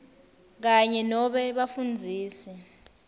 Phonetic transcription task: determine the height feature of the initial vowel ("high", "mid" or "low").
low